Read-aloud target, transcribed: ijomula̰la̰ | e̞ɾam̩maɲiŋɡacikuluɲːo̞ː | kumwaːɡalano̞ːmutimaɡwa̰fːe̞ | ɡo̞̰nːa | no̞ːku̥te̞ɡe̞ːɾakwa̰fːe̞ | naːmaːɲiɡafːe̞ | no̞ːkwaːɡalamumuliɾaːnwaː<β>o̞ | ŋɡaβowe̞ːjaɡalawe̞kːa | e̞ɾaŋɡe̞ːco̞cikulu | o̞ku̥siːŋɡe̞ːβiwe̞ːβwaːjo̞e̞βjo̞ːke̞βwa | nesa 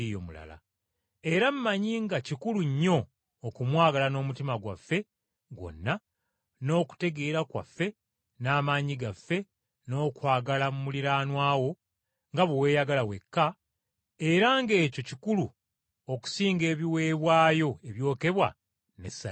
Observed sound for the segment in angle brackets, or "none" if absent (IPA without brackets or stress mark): w